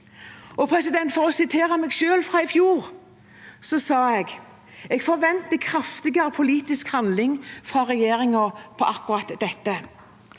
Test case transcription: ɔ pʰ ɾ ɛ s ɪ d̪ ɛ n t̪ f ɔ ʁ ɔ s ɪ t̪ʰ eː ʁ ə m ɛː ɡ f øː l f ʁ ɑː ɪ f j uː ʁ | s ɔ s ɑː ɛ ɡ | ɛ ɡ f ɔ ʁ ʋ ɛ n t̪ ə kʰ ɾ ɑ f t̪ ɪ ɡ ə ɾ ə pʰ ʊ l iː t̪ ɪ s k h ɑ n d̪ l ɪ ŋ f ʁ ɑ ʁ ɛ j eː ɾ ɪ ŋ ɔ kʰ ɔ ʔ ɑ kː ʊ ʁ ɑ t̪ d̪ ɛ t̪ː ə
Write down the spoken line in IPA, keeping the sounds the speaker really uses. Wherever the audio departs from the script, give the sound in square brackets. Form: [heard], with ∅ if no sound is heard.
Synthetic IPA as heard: ɔ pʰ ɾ ɛ s ɪ d̪ ɛ n t̪ f ɔ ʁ ɔ s ɪ t̪ʰ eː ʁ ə m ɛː ɡ [ʃ] øː l f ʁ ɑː ɪ f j uː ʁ | s ɔ s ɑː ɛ ɡ | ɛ ɡ f ɔ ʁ ʋ ɛ n t̪ ə kʰ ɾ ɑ f t̪ ɪ ɡ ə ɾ ə pʰ ʊ l iː t̪ ɪ s k h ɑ n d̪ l ɪ ŋ f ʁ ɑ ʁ ɛ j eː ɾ ɪ ŋ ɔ [pʰ] ɔ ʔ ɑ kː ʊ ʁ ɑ t̪ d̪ ɛ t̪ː ə